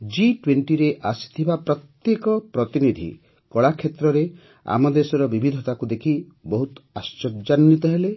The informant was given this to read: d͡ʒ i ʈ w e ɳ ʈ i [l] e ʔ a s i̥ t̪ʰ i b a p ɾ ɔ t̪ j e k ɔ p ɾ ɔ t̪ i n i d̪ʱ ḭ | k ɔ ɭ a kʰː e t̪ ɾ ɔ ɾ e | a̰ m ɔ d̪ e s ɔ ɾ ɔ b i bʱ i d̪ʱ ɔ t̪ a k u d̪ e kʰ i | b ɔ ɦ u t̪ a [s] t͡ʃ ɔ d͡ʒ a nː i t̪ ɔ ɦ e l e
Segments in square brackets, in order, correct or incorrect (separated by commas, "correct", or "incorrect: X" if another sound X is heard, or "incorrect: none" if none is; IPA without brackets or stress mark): incorrect: ɾ, correct